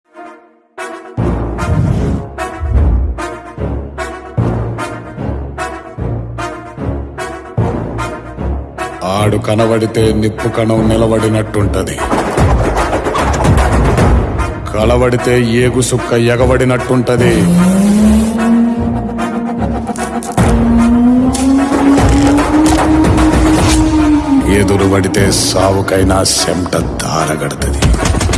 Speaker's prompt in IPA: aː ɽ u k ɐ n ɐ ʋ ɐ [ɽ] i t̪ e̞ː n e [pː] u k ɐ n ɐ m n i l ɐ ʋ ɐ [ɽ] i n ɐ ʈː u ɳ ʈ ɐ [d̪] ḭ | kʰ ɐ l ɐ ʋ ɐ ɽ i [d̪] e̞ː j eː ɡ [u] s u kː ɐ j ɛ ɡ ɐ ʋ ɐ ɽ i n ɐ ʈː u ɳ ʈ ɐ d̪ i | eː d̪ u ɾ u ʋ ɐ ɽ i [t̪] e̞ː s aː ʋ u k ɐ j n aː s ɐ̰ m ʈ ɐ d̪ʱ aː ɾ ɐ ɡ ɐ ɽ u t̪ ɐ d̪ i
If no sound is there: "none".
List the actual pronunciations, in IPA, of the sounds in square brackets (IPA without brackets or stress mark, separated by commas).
ɽ, pː, ɽ, d̪, t̪, u, t̪